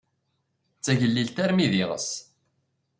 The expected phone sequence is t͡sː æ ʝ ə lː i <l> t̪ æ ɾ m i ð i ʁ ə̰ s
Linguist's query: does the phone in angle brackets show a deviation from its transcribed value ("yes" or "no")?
no